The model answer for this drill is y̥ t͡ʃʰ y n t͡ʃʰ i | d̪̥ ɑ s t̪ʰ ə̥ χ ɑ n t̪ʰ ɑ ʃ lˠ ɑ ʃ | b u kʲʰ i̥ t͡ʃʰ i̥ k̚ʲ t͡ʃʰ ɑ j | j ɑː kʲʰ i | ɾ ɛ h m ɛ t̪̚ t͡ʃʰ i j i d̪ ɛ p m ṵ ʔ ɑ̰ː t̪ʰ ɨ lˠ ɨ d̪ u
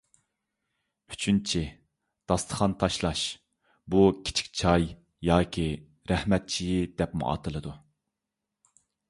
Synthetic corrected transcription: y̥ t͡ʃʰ y n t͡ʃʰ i | d̪̥ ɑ s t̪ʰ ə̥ χ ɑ n t̪ʰ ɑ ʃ lˠ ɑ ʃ | b u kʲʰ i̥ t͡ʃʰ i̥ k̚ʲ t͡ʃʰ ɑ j | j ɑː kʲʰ i | ɾ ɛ h m ɛ t̪̚ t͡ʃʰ i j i d̪ ɛ p m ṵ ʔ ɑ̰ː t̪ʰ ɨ lˠ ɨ d̪ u